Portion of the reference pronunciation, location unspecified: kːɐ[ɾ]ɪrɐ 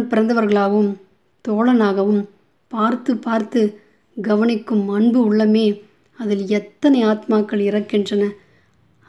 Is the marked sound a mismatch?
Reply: yes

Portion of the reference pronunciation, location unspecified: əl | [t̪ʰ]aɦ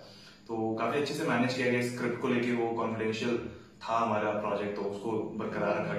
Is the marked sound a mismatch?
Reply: no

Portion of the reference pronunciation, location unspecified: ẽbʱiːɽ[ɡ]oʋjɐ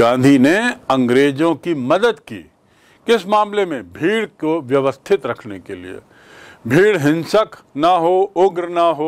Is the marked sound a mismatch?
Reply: yes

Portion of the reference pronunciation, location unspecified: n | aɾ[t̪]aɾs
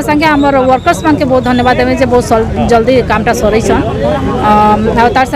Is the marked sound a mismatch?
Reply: no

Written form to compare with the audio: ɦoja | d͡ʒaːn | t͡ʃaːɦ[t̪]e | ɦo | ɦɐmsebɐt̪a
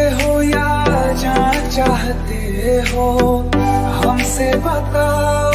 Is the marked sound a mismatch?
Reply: no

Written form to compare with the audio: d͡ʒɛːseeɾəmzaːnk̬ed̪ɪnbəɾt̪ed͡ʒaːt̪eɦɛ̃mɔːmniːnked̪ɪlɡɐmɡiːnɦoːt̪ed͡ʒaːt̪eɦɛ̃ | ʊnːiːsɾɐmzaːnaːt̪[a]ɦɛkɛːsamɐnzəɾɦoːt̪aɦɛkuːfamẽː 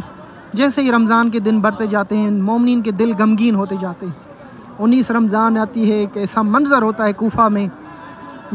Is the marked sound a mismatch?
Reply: yes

